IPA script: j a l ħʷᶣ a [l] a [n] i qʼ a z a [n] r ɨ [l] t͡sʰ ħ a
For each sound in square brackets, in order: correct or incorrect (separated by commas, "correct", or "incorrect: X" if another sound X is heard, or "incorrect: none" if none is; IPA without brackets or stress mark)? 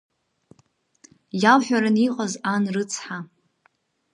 incorrect: ɾ, correct, correct, incorrect: none